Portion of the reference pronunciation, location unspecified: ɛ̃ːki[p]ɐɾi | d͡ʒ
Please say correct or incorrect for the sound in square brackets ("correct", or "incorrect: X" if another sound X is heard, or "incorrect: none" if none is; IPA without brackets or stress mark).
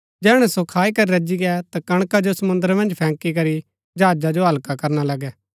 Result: incorrect: k